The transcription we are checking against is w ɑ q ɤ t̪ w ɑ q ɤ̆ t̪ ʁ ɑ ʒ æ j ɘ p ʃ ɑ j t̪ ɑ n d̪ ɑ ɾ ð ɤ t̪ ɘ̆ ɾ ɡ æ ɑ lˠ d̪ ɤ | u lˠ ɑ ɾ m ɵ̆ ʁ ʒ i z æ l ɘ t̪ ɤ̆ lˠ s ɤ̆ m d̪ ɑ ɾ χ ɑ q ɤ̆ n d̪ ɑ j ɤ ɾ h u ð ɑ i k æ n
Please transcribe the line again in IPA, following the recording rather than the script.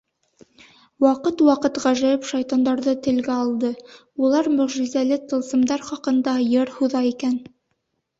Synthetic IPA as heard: w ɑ q ɤ t̪ w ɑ q ɤ̆ t̪ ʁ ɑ ʒ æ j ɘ p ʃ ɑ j t̪ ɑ n d̪ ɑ ɾ ð ɤ t̪ ɘ̆ l ɡ æ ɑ lˠ d̪ ɤ | u lˠ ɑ ɾ m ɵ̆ ʁ ʒ i z æ l ɘ t̪ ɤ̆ lˠ s ɤ̆ m d̪ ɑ ɾ χ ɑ q ɤ̆ n d̪ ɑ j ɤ ɾ h u ð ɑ i k æ n

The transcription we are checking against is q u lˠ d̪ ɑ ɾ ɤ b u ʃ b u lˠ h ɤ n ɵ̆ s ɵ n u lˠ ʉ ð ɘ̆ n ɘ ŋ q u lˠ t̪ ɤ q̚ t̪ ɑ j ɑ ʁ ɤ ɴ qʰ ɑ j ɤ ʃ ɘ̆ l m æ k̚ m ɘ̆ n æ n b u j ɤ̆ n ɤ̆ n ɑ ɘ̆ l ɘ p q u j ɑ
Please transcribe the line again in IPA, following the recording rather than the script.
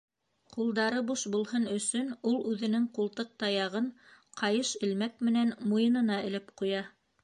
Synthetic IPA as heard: q u lˠ d̪ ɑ ɾ ɤ b u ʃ b u lˠ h ɤ n ɵ̆ s ɵ n u lˠ ʉ ð ɘ̆ n ɘ ŋ q u lˠ t̪ ɤ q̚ t̪ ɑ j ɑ ʁ ɤ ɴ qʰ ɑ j ɤ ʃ ɘ̆ l m æ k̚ m ɘ̆ n æ n m u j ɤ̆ n ɤ̆ n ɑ ɘ̆ l ɘ p q u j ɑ

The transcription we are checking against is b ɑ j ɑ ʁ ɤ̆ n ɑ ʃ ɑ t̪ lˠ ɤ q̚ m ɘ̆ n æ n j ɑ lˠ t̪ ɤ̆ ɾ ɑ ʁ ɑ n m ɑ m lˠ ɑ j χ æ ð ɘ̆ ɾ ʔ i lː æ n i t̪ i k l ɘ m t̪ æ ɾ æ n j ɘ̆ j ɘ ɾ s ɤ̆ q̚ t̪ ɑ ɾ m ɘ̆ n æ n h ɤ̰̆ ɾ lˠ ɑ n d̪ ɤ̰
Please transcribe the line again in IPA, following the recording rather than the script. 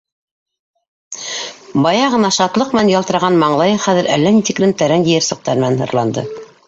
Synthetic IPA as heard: b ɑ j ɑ ʁ ɤ̆ n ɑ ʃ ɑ t̪ lˠ ɤ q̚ m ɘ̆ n æ n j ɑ lˠ t̪ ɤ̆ ɾ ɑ ʁ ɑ n m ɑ ɴ lˠ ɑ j χ æ ð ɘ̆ ɾ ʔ æ lː æ n i t̪ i k l ɘ m t̪ æ ɾ æ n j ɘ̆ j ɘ ɾ s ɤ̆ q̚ t̪ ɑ ɾ m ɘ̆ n æ n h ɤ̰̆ ɾ lˠ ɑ n d̪ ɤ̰

